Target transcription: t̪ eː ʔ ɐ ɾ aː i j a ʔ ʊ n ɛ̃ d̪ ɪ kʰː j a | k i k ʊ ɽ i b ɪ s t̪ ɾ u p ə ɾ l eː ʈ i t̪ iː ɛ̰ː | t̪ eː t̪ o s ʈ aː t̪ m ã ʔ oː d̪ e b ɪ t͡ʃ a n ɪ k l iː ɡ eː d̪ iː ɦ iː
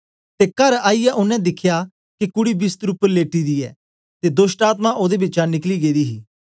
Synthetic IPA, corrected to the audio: t̪ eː k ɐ ɾ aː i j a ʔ ʊ n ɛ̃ d̪ ɪ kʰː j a | k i k ʊ ɽ i b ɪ s t̪ ɾ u p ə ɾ l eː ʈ i d̪ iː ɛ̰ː | t̪ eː d̪ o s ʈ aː t̪ m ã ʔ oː d̪ e b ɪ t͡ʃ a n ɪ k l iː ɡ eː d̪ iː ɦ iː

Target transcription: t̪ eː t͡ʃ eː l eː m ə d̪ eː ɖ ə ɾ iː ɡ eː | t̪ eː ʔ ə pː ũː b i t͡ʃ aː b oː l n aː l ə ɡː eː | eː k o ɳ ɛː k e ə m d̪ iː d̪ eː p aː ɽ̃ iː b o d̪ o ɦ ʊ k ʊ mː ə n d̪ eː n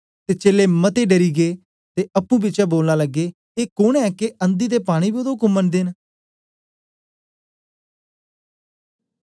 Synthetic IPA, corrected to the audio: t̪ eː t͡ʃ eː l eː m ə t̪ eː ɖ ə ɾ iː ɡ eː | t̪ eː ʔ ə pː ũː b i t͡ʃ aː b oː l n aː l ə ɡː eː | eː k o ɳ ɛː k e ə n d̪ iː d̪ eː p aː ɽ̃ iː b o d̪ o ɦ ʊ k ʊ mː ə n d̪ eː n

